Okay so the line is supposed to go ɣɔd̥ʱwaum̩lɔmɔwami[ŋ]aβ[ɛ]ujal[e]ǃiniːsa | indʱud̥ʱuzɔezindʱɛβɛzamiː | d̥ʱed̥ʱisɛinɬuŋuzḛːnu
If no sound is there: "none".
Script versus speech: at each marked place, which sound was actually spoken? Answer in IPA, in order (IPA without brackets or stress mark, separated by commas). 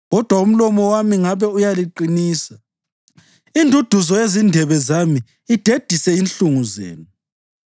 ŋ, ɛ, i